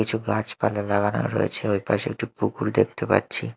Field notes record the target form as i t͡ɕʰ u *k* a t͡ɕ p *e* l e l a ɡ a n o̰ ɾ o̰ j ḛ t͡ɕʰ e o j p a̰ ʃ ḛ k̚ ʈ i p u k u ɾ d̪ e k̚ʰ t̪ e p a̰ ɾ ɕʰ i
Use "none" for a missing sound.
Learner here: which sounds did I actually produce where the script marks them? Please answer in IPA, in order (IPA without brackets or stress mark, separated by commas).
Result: ɡ, a